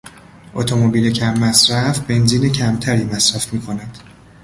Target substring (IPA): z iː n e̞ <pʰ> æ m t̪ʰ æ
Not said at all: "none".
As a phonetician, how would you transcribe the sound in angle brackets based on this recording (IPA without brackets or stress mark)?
cʰ